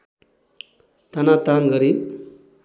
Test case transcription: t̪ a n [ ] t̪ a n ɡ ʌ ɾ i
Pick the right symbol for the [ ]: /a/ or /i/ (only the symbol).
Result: a